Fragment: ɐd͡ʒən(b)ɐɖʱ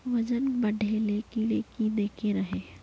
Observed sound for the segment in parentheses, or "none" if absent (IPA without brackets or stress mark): b